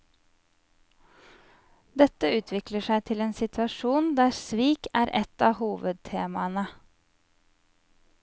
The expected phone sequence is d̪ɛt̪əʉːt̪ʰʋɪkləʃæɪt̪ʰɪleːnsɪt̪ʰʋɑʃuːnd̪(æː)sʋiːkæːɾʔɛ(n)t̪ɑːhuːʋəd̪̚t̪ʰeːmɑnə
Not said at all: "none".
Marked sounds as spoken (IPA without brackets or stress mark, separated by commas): æː, none